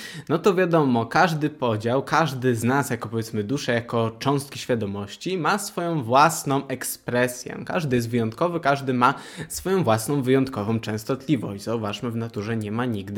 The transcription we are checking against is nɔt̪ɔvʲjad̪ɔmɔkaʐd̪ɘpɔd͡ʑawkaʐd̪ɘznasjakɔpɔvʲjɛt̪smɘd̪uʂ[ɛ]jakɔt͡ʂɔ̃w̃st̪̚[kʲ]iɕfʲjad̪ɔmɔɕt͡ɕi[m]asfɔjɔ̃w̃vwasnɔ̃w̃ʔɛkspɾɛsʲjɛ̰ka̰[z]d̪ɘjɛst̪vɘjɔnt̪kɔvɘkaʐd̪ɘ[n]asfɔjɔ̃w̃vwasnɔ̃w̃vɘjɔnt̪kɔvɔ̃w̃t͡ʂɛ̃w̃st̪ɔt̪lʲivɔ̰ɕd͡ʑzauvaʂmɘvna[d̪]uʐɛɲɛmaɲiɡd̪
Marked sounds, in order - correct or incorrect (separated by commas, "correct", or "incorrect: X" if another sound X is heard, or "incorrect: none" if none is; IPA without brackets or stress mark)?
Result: correct, correct, correct, incorrect: ʐ, incorrect: m, incorrect: t̪